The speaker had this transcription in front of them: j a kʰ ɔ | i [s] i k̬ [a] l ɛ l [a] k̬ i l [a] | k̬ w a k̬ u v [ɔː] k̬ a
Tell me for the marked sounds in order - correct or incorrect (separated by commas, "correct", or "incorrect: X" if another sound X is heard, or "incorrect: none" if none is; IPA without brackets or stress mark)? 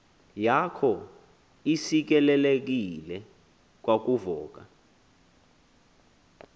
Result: correct, incorrect: ɛ, incorrect: e, incorrect: ɛ, correct